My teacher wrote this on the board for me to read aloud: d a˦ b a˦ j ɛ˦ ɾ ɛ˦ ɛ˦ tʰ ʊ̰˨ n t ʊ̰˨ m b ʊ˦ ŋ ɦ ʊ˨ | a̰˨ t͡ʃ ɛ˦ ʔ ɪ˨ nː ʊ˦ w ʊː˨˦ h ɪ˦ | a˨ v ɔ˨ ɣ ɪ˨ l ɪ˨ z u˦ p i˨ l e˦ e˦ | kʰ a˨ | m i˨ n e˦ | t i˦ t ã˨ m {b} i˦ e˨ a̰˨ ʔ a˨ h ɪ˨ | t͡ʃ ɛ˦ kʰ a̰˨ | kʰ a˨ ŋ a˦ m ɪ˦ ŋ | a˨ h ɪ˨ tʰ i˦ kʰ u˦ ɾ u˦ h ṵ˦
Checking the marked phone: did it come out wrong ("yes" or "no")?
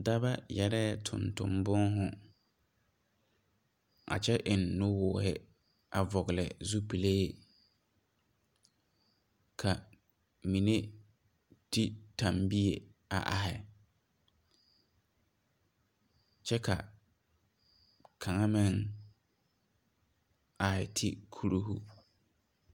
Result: no